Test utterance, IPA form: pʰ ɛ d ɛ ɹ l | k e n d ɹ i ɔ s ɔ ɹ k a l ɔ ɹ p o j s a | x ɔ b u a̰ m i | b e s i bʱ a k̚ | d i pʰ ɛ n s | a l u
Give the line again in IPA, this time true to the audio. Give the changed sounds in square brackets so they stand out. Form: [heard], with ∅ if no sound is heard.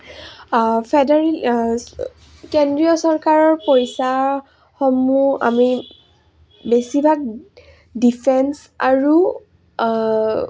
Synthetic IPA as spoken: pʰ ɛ d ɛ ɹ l | k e n d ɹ i ɔ s ɔ ɹ k a [ɹ] ɔ ɹ p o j s a | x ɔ [m] u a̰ m i | b e s i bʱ a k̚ | d i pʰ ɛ n s | a [ɹ] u